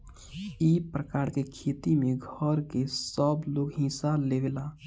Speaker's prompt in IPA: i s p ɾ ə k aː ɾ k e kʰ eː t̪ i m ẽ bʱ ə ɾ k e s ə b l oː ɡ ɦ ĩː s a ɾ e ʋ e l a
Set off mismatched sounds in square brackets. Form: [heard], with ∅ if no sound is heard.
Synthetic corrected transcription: i [∅] p ɾ ə k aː ɾ k e kʰ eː t̪ i m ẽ [ɡʱ] ə ɾ k e s ə b l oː ɡ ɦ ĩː s a [l] e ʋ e l a